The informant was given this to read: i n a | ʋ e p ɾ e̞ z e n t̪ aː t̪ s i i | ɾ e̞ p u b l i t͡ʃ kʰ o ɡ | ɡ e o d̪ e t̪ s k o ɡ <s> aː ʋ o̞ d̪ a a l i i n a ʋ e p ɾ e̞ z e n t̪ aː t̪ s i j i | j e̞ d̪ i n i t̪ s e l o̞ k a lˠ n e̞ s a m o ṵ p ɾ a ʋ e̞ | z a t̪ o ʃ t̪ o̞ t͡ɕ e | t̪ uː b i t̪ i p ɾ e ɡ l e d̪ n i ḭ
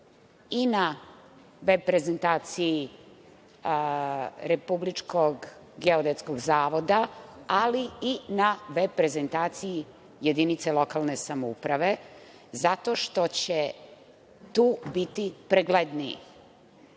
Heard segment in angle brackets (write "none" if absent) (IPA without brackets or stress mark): z